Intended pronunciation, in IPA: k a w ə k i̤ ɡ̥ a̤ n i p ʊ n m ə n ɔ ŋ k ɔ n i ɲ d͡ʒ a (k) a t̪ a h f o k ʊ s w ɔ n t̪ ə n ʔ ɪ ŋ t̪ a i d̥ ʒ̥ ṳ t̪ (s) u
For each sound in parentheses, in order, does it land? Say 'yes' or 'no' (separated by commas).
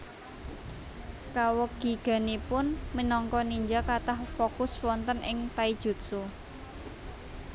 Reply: yes, yes